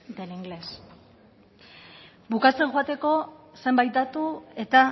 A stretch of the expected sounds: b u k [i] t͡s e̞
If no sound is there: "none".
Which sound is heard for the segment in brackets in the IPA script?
a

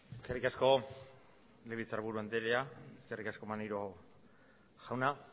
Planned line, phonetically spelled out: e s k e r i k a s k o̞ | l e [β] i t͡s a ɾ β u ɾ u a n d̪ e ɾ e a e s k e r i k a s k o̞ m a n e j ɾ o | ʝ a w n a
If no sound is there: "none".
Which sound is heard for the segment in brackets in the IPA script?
β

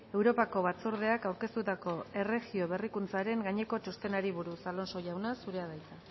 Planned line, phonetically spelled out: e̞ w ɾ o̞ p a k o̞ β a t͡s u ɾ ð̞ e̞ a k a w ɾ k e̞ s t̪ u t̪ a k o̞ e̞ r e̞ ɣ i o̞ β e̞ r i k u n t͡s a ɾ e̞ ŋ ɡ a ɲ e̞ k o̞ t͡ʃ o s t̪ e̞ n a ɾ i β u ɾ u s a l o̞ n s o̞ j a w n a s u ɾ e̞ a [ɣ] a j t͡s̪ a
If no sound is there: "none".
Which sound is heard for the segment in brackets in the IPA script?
ð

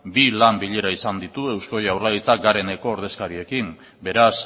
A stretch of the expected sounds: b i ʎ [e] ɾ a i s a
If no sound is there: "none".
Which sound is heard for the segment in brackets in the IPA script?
e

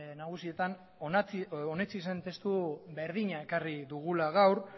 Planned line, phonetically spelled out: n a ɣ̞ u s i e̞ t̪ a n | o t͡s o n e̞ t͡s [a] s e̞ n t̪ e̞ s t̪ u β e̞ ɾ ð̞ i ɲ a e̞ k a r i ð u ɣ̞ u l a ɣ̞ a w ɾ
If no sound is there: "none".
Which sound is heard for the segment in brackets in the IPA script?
i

